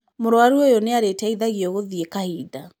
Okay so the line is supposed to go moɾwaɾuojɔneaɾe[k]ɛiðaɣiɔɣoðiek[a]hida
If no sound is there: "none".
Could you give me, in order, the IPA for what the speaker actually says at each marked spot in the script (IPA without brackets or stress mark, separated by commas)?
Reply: t, a